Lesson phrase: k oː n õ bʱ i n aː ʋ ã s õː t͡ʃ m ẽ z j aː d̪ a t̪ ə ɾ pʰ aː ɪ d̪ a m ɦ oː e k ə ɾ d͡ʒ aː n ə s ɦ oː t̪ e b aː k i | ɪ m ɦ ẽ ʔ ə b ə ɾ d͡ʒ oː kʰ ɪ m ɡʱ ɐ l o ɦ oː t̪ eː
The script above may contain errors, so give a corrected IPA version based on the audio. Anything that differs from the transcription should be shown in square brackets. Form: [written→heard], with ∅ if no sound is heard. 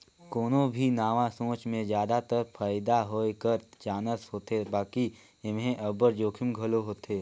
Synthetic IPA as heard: k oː n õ bʱ i n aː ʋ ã s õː t͡ʃ m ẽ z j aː d̪ a t̪ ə ɾ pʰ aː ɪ d̪ a [m→∅] ɦ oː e k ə ɾ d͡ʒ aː n ə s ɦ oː t̪ e b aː k i | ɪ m ɦ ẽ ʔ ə b ə ɾ d͡ʒ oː kʰ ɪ m ɡʱ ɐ l o ɦ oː t̪ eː